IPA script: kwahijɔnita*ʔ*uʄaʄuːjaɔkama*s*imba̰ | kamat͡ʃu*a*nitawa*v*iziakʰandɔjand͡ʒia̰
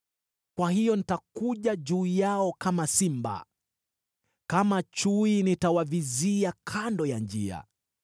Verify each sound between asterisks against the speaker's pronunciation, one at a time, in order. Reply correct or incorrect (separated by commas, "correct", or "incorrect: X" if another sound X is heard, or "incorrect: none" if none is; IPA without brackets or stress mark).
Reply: incorrect: k, correct, incorrect: i, correct